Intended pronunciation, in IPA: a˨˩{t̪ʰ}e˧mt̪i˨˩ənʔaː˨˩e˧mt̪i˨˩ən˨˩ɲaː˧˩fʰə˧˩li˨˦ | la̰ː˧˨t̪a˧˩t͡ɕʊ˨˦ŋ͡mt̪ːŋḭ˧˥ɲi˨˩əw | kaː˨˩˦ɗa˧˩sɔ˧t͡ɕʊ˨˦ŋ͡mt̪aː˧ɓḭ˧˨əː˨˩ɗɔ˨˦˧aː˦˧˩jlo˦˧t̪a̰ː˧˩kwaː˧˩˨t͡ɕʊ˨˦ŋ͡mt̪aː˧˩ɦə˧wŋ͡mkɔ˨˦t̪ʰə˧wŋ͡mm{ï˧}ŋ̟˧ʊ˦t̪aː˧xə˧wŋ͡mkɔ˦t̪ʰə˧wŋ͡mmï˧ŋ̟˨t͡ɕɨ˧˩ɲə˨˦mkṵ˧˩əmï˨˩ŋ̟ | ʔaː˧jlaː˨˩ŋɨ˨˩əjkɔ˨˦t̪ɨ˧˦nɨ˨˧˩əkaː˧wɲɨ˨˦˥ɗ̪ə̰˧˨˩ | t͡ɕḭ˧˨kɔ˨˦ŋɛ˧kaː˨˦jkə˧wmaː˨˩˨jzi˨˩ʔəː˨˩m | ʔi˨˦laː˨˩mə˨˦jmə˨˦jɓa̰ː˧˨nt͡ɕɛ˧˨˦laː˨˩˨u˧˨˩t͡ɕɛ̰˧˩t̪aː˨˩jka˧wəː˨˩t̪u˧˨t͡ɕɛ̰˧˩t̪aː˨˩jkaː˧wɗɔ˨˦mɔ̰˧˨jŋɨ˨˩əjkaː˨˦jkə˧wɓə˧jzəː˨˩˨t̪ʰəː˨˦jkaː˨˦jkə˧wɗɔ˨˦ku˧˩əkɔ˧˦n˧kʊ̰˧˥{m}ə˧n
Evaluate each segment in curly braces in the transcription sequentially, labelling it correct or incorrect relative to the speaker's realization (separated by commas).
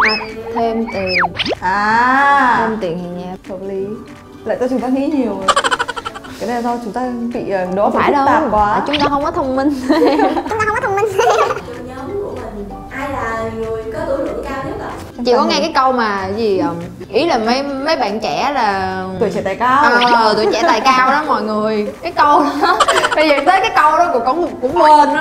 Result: correct, correct, incorrect